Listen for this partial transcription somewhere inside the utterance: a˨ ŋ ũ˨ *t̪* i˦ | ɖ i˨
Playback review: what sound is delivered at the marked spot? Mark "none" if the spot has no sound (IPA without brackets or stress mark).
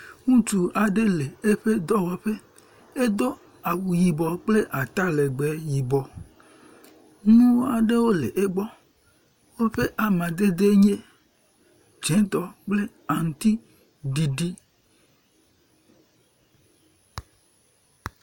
t̪